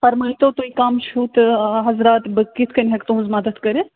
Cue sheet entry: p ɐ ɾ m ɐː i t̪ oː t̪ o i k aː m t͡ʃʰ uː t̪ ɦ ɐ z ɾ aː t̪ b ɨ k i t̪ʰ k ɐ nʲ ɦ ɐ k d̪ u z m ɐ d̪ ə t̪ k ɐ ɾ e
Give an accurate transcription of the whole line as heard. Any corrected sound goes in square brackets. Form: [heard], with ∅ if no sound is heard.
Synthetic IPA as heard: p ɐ ɾ m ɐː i t̪ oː t̪ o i k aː m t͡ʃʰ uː t̪ ɦ ɐ z ɾ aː t̪ b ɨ k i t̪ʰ k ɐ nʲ ɦ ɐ k [t̪] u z m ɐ d̪ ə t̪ k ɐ ɾ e